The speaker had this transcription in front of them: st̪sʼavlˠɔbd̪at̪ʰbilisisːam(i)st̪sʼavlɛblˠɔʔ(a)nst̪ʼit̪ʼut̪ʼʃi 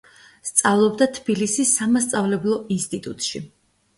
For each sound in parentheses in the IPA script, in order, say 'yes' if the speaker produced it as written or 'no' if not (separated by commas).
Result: no, no